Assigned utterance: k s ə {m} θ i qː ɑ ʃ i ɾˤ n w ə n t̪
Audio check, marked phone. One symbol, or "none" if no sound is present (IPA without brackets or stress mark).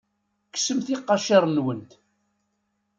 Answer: m